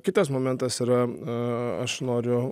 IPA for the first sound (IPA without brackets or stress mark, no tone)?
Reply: kʲ